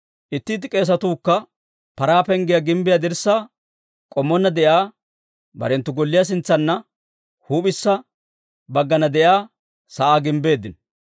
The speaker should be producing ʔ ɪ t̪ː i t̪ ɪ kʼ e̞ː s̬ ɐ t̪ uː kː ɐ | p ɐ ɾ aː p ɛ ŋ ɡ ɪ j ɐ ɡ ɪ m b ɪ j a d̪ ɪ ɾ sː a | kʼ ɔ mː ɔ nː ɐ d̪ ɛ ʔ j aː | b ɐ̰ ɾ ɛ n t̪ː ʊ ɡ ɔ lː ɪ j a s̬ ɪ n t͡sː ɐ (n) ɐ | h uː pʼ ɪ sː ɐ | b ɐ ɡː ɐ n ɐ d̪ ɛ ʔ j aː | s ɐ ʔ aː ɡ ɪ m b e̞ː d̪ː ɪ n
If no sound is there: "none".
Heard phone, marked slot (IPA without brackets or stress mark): nː